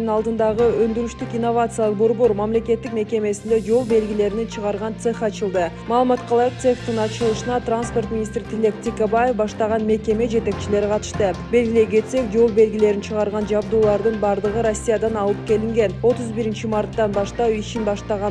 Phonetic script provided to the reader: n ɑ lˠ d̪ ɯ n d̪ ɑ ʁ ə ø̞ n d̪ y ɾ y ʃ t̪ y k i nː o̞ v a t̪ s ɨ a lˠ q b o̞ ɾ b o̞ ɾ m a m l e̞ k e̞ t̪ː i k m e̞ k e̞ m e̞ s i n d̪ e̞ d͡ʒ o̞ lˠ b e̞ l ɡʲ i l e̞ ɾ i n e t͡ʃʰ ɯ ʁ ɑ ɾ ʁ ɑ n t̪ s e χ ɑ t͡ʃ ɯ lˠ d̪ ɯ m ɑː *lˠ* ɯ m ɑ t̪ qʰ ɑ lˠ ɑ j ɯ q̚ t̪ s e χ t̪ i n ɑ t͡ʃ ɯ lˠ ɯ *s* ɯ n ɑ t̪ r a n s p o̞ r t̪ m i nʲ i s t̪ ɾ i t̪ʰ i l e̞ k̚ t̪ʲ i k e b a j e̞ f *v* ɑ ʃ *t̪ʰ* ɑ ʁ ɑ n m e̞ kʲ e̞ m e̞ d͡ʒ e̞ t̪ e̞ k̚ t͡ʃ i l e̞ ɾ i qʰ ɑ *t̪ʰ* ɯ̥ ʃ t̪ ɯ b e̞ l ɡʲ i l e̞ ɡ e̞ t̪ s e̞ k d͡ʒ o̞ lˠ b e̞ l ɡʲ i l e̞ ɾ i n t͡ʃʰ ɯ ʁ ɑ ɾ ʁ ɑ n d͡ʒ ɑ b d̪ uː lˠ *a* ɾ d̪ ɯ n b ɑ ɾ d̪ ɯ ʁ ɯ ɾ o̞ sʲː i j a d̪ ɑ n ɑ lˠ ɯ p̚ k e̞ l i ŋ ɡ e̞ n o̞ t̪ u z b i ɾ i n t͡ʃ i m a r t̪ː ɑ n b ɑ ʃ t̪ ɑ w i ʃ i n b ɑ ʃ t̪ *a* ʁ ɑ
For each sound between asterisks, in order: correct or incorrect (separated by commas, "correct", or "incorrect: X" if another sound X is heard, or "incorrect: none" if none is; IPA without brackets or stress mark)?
correct, incorrect: ʃ, incorrect: b, incorrect: t̪, incorrect: t̪, incorrect: ɑ, incorrect: ɑ